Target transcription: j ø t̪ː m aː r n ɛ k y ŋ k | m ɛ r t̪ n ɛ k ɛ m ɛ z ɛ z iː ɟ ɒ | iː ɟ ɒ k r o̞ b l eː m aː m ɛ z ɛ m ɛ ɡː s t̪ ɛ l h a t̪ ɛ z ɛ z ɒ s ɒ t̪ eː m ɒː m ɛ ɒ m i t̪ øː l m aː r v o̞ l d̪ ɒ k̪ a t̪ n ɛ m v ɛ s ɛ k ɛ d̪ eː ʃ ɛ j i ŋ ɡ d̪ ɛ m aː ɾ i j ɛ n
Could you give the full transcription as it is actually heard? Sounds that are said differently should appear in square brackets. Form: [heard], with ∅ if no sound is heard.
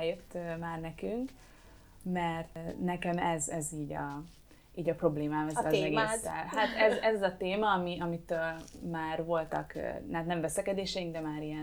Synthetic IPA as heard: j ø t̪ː m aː r n ɛ k y ŋ k | m ɛ r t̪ n ɛ k ɛ m ɛ z ɛ z iː ɟ ɒ | iː ɟ ɒ [p] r o̞ b l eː m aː m ɛ z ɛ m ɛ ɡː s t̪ ɛ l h a t̪ ɛ z ɛ z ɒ [z] ɒ t̪ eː m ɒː m [i] ɒ m i t̪ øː l m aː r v o̞ l [t̪] ɒ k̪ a t̪ n ɛ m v ɛ s ɛ k ɛ d̪ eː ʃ ɛ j i ŋ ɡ d̪ ɛ m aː ɾ i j ɛ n